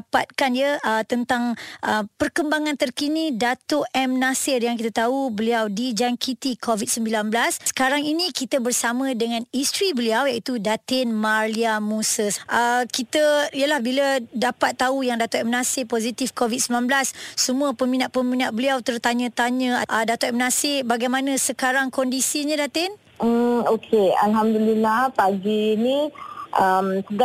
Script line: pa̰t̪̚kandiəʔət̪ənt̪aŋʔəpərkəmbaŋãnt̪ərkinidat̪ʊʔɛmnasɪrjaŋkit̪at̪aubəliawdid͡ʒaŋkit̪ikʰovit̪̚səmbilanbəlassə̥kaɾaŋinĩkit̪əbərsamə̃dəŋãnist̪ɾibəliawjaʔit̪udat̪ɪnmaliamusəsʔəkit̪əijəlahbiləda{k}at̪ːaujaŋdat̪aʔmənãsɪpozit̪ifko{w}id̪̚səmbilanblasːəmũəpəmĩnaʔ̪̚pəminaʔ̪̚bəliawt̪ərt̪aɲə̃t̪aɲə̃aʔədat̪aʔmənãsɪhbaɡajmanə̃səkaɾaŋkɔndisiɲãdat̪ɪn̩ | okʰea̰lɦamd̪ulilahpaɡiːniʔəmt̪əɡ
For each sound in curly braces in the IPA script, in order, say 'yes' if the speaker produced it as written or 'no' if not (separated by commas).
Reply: no, no